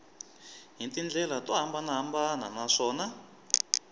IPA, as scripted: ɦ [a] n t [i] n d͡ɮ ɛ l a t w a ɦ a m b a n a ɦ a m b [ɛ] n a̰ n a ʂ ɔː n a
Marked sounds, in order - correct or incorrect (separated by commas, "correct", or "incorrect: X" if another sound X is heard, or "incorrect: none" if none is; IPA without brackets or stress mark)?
incorrect: i, correct, incorrect: a